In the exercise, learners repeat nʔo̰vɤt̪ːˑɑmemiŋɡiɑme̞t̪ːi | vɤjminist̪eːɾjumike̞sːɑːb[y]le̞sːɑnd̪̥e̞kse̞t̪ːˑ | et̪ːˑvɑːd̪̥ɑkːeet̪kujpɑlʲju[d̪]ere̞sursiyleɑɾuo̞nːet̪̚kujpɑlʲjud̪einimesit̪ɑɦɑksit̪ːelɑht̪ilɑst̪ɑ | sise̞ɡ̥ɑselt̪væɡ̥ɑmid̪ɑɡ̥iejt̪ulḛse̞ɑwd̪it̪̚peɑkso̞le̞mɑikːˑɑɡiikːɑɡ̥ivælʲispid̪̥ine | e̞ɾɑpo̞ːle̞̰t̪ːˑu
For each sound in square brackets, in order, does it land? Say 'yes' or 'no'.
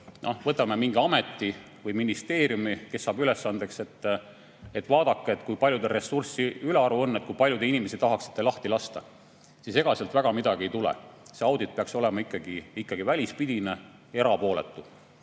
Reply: yes, yes

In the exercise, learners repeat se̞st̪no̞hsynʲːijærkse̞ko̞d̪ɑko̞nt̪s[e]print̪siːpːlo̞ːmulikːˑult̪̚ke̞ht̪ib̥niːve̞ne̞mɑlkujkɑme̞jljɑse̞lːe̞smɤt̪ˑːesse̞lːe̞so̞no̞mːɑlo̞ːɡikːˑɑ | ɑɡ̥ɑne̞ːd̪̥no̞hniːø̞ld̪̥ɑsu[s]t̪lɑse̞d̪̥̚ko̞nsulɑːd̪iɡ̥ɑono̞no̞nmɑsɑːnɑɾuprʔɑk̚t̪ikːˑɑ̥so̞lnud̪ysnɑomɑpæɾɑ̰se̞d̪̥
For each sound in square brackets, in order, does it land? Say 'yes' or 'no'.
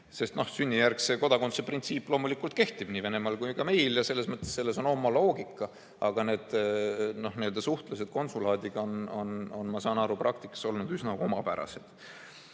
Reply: yes, no

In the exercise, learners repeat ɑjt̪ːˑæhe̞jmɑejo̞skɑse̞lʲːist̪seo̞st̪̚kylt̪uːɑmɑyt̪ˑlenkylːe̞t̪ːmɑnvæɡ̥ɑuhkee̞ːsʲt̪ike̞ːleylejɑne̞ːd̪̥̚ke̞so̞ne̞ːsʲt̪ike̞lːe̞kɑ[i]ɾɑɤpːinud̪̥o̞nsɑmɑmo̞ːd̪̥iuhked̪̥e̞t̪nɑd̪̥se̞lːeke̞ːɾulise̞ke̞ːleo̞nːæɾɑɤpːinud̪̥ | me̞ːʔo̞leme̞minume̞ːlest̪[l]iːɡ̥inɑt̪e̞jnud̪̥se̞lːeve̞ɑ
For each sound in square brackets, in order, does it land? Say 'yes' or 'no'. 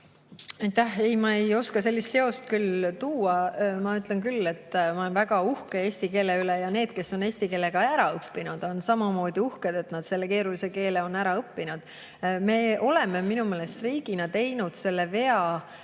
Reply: no, no

